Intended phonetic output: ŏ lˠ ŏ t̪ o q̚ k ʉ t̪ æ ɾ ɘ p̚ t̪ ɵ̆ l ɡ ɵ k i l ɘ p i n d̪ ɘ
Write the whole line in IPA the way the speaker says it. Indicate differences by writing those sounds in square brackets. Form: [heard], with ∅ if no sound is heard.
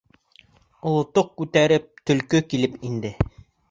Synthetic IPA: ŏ lˠ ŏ t̪ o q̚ k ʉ t̪ æ ɾ ɘ p̚ t̪ ɵ̆ l [k] ɵ k i l ɘ p i n d̪ ɘ